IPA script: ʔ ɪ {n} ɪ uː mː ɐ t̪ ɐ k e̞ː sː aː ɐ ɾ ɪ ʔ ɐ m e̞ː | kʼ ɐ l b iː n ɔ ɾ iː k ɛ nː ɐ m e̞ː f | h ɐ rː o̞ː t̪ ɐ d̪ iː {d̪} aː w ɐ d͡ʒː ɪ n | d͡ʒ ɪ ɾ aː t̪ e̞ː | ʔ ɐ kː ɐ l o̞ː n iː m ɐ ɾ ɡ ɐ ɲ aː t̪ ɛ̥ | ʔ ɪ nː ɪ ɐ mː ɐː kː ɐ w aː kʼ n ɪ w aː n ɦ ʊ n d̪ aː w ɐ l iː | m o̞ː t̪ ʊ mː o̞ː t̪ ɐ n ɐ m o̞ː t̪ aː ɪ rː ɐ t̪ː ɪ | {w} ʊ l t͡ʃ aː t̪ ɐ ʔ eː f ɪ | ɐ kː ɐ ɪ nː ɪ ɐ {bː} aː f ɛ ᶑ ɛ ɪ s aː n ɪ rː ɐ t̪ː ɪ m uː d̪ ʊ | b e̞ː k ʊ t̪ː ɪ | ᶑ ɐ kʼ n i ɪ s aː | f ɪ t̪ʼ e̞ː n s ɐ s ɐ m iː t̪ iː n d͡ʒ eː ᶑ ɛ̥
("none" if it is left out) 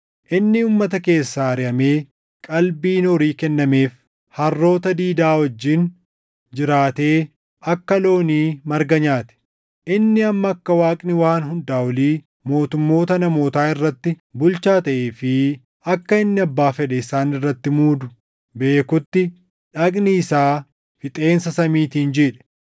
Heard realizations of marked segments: nː, d̪, b, bː

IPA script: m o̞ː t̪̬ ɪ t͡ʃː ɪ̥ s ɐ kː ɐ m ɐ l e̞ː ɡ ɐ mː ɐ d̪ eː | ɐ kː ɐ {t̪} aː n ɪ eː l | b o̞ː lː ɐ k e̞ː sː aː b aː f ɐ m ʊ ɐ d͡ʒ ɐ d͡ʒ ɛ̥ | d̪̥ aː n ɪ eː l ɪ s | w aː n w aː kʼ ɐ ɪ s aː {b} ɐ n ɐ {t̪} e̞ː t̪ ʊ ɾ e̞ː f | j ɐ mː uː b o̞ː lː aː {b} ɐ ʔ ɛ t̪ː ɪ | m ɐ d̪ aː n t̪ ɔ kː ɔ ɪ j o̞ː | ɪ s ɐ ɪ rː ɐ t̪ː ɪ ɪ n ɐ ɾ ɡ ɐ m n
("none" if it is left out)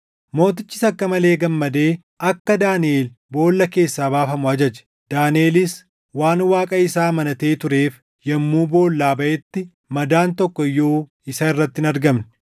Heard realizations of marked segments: d̪, m, t̪, b

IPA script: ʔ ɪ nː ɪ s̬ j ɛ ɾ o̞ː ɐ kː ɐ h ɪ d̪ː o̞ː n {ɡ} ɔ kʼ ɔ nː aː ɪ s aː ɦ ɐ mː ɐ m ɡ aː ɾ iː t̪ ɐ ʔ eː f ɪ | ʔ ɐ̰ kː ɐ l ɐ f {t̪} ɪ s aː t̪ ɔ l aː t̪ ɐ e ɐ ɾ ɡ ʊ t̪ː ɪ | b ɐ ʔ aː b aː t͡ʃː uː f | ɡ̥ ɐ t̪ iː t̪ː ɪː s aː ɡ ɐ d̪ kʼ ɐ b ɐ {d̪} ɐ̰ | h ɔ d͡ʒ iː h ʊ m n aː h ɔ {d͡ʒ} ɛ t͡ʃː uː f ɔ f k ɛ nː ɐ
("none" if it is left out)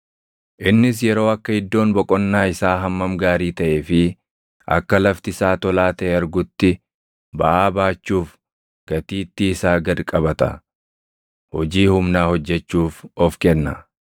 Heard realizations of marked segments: b, t̪, t̪, d͡ʒː

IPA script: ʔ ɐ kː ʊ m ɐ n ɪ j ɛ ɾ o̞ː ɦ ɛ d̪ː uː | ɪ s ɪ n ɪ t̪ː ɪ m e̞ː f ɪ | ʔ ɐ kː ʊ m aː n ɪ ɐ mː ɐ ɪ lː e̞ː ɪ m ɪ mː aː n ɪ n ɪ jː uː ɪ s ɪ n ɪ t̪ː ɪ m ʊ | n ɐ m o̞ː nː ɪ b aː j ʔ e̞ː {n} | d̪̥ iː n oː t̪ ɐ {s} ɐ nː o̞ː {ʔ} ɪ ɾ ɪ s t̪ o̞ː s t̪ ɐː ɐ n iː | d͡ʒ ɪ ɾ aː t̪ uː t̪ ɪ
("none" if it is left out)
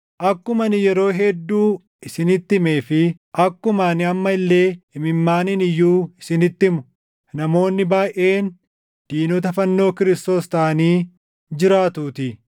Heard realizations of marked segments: n, f, k

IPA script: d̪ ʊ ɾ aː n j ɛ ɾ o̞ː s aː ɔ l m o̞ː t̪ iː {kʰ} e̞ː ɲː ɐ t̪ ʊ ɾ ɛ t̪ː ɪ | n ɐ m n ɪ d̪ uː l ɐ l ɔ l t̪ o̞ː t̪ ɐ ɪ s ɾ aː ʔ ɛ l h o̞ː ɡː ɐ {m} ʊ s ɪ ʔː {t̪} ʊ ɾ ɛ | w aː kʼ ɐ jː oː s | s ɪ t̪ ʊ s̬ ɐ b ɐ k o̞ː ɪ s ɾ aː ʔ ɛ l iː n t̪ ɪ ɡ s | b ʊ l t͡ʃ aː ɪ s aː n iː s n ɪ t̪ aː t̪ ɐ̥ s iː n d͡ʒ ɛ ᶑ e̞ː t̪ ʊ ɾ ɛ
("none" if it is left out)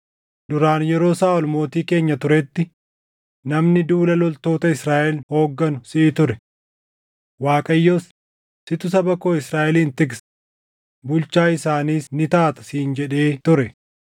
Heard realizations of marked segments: k, n, t̪

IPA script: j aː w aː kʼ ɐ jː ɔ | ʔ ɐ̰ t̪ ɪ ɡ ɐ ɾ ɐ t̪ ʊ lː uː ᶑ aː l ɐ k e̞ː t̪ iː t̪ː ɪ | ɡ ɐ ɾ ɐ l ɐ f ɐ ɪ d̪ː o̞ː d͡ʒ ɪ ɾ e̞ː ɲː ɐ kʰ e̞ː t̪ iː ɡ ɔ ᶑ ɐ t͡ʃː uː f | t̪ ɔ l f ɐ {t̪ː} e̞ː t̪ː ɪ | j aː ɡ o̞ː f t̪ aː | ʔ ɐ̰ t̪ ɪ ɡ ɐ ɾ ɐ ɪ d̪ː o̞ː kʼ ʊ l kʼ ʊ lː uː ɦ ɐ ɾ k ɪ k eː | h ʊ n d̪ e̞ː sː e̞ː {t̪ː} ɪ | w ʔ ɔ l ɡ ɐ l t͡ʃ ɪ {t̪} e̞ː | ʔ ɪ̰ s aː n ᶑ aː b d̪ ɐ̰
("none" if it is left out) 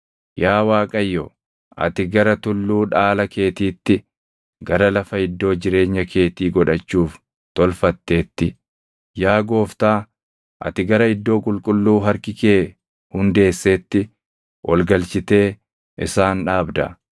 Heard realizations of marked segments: t̪ː, t̪ː, t̪

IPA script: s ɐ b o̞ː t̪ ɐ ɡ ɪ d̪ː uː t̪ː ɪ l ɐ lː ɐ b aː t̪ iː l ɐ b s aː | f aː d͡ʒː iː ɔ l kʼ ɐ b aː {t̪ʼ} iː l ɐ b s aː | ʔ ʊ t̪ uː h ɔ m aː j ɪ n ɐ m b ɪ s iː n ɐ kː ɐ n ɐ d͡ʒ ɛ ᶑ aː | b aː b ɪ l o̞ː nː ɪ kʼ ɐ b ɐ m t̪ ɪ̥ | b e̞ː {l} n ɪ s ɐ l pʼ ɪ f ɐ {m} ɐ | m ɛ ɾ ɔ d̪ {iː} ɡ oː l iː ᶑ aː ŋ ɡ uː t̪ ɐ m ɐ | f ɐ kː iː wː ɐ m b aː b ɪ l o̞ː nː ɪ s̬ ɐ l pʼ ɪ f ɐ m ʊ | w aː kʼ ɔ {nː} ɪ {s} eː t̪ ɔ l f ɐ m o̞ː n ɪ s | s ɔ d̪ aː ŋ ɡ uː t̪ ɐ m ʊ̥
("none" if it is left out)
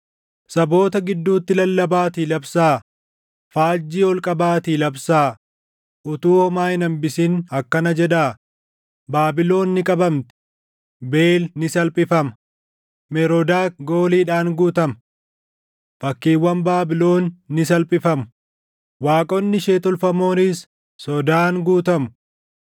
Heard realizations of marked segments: t̪, l, m, aː, nː, ʃ

